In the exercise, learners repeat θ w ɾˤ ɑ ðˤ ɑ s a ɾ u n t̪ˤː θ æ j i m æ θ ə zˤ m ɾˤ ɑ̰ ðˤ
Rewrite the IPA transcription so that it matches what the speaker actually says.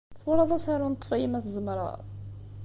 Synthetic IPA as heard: θ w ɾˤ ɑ ðˤ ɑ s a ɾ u n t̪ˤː f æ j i m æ θ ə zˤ m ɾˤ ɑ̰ ðˤ